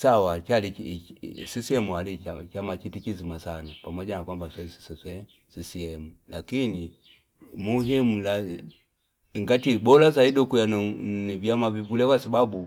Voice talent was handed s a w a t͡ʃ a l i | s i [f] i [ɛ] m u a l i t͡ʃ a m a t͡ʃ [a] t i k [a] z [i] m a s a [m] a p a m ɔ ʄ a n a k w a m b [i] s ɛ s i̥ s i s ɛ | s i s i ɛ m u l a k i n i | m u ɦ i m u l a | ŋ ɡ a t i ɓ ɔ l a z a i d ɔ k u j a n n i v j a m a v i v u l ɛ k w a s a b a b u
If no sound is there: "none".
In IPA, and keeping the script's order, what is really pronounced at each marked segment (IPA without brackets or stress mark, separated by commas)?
s, ɛ, i, i, i, n, a